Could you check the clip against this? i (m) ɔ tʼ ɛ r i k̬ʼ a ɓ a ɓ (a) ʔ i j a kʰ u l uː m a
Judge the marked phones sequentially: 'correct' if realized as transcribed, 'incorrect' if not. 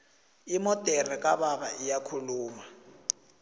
correct, correct

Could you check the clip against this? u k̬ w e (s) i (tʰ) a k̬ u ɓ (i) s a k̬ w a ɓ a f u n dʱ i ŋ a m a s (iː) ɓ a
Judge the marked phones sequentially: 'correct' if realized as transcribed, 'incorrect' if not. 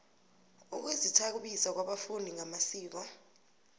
incorrect: z, correct, correct, correct

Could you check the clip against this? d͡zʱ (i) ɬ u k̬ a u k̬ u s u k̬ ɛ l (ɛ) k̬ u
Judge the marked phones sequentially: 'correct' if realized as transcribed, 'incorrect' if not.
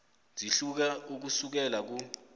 correct, incorrect: a

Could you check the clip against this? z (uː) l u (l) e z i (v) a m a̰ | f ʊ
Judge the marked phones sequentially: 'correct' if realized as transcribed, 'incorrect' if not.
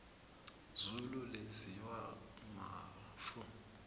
incorrect: u, correct, incorrect: w

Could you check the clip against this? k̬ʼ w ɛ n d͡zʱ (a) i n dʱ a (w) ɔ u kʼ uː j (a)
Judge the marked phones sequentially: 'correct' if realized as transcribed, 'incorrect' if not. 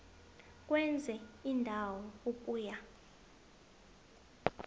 incorrect: ɛ, correct, correct

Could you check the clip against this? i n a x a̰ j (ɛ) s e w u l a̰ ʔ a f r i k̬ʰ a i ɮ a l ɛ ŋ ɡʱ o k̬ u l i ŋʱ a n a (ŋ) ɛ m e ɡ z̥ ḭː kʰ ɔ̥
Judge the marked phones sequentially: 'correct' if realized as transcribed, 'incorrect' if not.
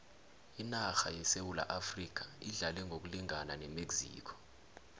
correct, incorrect: n

